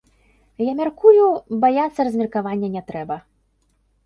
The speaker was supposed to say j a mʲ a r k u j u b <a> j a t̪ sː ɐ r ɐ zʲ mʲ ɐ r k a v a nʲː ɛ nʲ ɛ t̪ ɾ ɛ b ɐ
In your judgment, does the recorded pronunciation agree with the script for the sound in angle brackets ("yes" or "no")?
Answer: yes